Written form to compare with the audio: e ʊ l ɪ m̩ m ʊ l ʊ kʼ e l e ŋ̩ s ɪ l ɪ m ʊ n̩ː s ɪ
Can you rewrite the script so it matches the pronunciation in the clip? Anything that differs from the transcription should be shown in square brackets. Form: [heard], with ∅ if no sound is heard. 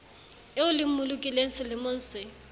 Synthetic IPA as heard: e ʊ l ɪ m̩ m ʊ l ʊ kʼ [i] l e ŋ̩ s ɪ l ɪ m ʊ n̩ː s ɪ